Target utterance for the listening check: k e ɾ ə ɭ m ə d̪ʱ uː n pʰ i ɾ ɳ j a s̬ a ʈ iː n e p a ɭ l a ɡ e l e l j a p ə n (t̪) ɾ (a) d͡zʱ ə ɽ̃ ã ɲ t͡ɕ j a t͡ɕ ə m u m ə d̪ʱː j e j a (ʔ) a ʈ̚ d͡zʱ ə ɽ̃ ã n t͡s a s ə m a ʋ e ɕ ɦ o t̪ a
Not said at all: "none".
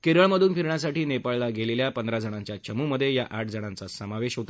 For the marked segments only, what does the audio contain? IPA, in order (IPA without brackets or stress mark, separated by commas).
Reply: d̪, a, ʔ